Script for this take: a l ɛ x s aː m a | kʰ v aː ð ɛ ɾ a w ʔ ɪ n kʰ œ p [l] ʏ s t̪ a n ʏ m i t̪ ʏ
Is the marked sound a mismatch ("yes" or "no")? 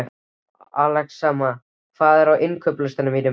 no